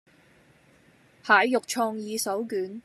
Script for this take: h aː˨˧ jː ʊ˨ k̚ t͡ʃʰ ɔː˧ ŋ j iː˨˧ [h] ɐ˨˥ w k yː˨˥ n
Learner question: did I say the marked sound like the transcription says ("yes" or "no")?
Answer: no